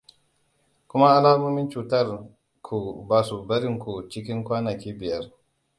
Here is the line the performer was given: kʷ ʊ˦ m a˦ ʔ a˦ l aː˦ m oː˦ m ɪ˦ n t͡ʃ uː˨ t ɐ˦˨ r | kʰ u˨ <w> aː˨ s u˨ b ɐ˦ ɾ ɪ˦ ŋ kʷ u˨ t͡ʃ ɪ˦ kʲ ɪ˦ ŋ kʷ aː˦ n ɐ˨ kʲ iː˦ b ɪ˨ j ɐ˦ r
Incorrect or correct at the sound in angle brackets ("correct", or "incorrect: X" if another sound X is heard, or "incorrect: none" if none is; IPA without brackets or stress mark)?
incorrect: b